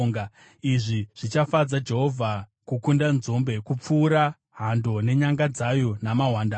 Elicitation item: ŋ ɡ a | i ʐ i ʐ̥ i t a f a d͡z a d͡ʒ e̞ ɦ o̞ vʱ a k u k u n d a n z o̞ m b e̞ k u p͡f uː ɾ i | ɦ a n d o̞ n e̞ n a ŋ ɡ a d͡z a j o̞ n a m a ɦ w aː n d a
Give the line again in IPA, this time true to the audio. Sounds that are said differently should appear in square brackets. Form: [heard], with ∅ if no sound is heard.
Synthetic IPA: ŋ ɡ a | i ʐ i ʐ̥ i [t͡ʃ] a f a d͡z a d͡ʒ e̞ ɦ o̞ vʱ a k u k u n d a n z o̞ m b e̞ k u p͡f uː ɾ [a] | ɦ a n d o̞ n e̞ [ɲ] a ŋ ɡ a d͡z a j o̞ n a m a ɦ w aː n d a